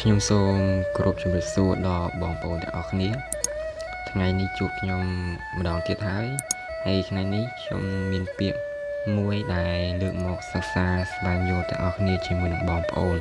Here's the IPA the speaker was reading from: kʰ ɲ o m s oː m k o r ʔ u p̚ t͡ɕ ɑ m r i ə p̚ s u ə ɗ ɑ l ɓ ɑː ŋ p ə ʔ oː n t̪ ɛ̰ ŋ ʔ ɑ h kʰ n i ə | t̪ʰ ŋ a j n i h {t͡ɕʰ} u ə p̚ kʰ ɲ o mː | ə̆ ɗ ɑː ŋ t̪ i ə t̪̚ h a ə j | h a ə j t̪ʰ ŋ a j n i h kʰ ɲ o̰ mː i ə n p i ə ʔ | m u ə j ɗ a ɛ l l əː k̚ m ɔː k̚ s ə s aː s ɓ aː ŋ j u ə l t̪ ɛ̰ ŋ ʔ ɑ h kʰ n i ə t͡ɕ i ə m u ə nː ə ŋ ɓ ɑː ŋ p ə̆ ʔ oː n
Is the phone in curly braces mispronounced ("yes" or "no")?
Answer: yes